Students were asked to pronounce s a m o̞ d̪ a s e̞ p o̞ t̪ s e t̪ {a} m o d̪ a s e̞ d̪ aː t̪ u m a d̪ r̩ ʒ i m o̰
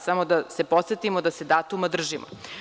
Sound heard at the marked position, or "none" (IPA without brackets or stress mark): i